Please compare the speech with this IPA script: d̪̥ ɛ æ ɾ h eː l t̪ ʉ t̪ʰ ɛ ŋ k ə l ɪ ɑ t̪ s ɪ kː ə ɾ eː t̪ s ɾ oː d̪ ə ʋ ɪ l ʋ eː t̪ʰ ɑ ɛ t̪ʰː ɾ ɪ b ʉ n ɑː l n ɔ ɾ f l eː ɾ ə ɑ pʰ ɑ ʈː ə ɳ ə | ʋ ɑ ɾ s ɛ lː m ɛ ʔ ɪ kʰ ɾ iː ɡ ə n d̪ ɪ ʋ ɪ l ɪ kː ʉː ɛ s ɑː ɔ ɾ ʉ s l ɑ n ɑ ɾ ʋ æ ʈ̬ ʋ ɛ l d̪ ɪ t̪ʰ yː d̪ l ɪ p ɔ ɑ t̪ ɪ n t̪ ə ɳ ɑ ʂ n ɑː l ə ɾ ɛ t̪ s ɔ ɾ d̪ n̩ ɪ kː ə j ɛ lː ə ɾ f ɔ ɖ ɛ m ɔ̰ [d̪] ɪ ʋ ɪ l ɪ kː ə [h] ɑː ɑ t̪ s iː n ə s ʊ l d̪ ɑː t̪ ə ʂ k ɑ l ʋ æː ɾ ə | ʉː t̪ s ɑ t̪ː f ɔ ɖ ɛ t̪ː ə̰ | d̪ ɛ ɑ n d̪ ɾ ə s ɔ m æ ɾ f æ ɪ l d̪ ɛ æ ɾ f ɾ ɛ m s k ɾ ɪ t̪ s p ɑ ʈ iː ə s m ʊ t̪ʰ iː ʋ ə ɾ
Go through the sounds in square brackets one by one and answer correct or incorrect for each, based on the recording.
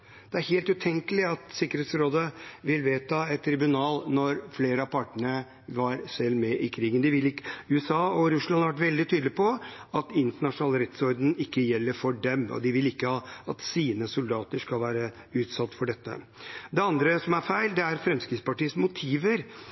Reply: correct, correct

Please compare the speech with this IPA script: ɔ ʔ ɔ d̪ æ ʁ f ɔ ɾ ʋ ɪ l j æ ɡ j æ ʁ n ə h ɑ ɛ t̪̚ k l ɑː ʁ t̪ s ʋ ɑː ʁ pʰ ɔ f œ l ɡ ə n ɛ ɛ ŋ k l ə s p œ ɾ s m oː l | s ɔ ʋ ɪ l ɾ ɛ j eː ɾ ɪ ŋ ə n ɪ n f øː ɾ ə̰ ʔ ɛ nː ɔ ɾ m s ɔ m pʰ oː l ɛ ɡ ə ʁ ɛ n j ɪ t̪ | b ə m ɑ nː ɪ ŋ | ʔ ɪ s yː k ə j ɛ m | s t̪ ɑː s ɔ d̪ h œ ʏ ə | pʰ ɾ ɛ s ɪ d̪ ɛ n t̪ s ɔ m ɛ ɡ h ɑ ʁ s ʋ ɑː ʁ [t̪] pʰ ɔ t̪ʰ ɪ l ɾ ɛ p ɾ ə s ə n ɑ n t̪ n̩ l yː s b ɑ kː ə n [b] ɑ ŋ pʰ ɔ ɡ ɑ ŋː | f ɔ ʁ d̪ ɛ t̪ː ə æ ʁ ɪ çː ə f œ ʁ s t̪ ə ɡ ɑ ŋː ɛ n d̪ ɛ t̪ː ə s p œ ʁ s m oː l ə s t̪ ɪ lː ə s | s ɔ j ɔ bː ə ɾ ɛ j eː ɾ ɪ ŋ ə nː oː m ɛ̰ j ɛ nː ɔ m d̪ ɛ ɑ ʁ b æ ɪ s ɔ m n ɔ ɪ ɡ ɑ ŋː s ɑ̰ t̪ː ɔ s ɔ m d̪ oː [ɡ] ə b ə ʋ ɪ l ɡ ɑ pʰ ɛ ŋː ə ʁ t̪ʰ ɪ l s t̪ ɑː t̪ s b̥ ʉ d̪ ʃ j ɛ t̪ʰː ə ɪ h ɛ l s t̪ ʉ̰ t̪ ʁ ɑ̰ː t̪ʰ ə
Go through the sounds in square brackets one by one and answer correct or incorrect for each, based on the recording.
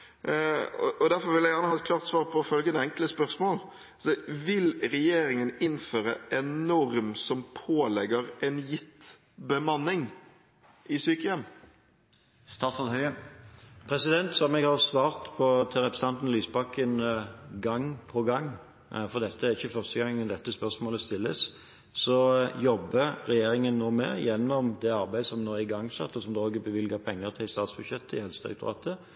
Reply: correct, incorrect: ɡ, correct

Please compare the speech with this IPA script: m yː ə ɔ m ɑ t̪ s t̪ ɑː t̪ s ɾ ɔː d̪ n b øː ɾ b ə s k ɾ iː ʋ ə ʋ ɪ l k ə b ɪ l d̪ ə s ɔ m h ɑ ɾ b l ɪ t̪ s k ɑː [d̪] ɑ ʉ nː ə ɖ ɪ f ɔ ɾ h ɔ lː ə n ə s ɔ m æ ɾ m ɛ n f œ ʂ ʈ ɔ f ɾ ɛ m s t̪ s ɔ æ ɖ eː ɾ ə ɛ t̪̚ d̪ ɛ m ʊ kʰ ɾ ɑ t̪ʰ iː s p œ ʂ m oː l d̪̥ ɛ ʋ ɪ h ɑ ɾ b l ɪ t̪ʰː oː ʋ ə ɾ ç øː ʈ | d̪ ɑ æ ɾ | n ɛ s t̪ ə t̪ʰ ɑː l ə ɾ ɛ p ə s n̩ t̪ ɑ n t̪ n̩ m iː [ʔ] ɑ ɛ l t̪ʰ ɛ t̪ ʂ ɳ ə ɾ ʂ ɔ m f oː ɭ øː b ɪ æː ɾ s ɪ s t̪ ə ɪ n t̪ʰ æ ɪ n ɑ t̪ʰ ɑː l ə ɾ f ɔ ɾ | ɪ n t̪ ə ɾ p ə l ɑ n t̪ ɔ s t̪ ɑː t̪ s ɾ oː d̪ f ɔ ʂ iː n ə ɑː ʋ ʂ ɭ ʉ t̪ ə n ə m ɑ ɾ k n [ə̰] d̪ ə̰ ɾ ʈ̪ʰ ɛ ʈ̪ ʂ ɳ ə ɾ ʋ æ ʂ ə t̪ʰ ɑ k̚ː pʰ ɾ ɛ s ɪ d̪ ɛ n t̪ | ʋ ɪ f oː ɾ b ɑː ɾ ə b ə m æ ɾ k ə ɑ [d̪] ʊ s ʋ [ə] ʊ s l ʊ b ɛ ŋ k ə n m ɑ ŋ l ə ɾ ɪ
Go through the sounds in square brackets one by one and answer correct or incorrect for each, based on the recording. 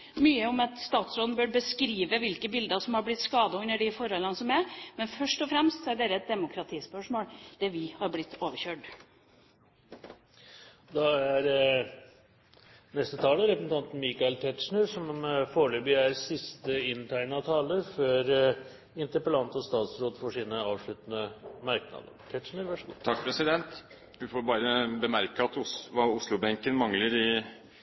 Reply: correct, incorrect: k, incorrect: ɑ̰, incorrect: t̪, incorrect: ɑ

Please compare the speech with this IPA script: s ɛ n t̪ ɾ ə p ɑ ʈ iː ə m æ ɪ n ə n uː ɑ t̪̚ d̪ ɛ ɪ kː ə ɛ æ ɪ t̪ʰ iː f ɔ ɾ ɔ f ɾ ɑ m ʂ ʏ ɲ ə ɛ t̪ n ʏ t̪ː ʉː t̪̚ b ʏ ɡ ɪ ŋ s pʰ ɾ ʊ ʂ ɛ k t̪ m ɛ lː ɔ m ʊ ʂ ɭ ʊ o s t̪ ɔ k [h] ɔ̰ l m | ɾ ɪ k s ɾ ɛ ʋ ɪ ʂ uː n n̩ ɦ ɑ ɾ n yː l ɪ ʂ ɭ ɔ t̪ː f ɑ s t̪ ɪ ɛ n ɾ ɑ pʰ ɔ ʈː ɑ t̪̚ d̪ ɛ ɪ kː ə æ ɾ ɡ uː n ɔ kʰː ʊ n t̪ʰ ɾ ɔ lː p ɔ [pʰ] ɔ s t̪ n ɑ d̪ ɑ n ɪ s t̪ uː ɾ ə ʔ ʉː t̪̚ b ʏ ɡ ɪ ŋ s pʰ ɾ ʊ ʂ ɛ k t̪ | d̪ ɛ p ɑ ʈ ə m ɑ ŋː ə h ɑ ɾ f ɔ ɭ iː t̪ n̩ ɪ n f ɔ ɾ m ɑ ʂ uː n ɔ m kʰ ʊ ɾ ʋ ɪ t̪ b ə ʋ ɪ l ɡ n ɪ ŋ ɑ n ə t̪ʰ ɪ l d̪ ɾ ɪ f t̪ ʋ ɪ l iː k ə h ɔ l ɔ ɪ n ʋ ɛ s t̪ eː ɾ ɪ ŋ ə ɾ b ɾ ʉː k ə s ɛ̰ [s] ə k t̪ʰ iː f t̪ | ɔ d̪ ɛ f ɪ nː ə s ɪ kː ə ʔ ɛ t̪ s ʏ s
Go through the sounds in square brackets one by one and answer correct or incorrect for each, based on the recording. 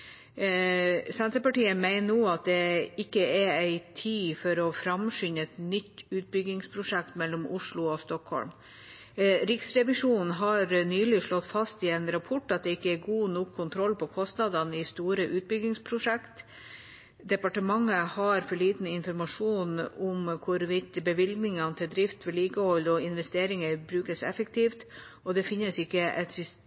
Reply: correct, incorrect: kʰ, incorrect: f

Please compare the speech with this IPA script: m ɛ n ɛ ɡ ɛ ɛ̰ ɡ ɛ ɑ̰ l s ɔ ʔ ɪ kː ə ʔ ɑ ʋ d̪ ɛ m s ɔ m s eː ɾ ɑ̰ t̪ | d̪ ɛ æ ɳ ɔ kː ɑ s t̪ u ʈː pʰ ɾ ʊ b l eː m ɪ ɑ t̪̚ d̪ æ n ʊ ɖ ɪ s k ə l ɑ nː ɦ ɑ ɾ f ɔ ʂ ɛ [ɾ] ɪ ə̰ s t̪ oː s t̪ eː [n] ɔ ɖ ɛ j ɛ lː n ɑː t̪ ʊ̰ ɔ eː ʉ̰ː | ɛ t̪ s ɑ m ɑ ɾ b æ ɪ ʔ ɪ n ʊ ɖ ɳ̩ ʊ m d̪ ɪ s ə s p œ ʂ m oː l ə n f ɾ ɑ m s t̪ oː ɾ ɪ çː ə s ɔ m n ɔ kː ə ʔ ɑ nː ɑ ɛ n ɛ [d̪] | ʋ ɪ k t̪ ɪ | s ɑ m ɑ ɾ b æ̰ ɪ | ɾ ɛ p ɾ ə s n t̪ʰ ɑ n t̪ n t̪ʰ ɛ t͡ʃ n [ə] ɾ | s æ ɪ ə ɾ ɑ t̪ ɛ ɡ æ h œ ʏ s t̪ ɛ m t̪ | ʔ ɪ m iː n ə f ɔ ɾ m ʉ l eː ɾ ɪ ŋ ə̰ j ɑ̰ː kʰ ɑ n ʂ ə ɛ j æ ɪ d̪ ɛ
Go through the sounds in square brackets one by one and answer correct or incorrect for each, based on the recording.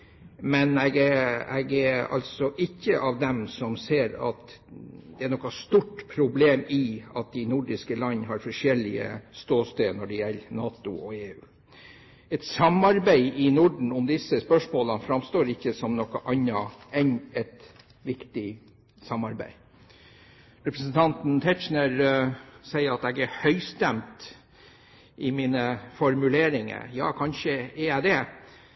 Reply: incorrect: l, correct, incorrect: t̪, correct

